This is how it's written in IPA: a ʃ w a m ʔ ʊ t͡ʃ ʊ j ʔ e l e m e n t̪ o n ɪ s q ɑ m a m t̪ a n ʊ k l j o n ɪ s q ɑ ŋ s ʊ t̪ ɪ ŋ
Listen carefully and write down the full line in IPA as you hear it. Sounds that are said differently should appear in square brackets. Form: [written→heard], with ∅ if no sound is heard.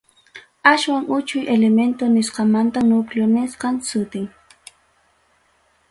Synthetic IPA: a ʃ w a [m→ŋ] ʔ ʊ t͡ʃ ʊ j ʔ e l e m e n t̪ o n ɪ s q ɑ m a [m→n] t̪ a n ʊ k l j o n ɪ s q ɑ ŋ s ʊ t̪ ɪ ŋ